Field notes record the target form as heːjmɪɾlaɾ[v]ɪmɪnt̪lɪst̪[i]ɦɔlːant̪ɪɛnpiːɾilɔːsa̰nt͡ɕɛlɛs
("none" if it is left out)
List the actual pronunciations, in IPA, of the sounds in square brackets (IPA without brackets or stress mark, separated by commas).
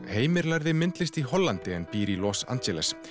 ð, i